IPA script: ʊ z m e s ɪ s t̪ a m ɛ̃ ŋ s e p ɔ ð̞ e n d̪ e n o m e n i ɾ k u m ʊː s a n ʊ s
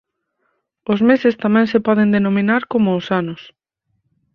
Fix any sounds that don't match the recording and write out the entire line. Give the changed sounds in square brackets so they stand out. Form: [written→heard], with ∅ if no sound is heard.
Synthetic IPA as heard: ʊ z m e s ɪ s t̪ a m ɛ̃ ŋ s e p ɔ ð̞ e n d̪ e n o m [e→i] n [i→a] ɾ k [u→o] m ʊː s a n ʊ s